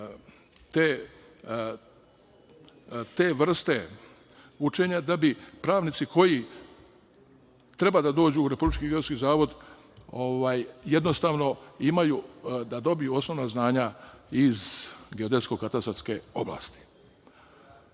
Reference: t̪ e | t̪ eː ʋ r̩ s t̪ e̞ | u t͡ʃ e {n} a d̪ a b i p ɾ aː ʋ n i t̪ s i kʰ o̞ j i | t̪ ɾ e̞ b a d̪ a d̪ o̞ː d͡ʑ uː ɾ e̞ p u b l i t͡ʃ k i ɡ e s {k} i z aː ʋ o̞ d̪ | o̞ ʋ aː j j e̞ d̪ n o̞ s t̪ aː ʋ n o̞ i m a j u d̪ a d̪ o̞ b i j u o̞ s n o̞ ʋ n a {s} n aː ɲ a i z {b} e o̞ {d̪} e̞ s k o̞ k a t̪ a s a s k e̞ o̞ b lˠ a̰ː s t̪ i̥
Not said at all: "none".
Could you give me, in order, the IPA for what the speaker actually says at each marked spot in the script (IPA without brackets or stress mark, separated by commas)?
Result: ɲ, k, z, ɡ, d̪